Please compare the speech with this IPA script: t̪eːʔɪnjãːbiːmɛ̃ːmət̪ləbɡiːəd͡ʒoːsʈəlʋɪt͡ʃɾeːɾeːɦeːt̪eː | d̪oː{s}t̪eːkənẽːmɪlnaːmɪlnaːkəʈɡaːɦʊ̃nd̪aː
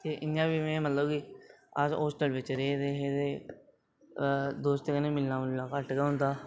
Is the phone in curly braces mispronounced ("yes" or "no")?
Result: no